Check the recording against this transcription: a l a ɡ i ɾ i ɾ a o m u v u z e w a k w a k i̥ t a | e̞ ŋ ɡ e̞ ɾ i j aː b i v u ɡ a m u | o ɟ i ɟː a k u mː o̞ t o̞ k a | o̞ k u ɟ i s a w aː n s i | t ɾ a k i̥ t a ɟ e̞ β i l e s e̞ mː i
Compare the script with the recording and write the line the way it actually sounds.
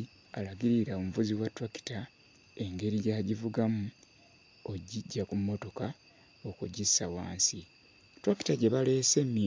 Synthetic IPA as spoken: a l a ɡ i ɾ i ɾ a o m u v u z i w a t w a k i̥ t a | e̞ ŋ ɡ e̞ ɾ i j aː ɟ i v u ɡ a m u | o ɟ i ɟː a k u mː o̞ t o̞ k a | o̞ k u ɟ i s a w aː n s i | t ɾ a k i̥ t a ɟ e̞ β a l e s e̞ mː i